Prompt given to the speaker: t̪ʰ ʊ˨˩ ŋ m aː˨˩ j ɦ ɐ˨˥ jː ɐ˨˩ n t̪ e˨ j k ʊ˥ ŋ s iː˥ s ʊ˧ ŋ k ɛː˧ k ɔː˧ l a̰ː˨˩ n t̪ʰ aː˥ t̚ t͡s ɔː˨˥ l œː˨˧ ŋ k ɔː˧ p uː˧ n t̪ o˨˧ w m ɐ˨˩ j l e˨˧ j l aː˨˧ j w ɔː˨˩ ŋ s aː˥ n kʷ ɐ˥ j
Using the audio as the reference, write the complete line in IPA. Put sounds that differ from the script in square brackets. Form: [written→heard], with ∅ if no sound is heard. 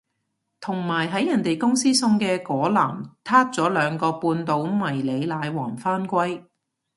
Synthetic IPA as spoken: t̪ʰ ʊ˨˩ ŋ m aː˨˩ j ɦ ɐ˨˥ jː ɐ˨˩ n t̪ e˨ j k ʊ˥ ŋ s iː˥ s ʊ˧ ŋ k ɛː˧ k [ɔː˧→ɔː˨˥] l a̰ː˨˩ [n→m] t̪ʰ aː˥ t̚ t͡s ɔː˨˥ l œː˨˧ ŋ k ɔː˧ p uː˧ n t̪ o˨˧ w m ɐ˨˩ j l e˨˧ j l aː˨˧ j w ɔː˨˩ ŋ [s→f] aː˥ n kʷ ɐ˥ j